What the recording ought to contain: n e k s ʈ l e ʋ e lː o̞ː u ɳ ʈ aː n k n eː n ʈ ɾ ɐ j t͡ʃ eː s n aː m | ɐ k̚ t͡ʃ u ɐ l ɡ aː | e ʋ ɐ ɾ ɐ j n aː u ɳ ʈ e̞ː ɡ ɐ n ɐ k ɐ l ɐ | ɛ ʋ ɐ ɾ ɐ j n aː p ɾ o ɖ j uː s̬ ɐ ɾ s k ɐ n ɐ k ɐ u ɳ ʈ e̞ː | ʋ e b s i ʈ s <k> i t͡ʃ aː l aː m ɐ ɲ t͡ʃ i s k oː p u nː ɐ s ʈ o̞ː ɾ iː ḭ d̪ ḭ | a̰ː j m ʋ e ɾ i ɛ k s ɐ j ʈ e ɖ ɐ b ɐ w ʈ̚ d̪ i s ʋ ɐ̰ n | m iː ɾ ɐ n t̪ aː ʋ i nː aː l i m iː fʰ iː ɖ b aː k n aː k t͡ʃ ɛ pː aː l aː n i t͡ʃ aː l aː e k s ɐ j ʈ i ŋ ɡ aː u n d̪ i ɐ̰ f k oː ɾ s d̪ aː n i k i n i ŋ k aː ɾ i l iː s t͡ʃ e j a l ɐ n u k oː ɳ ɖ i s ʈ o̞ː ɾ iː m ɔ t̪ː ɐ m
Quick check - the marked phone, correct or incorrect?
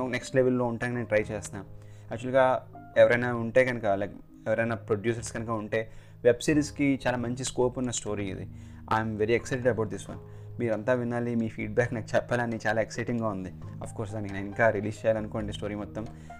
correct